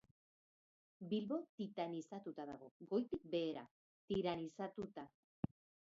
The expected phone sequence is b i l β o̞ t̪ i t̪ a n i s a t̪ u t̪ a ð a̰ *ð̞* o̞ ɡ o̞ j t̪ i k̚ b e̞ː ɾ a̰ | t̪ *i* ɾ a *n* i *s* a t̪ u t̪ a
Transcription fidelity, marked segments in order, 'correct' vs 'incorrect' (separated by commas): incorrect, correct, correct, correct